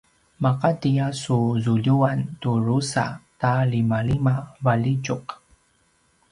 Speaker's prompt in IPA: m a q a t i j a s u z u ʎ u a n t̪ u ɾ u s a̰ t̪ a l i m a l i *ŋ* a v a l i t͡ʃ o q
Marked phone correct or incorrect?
incorrect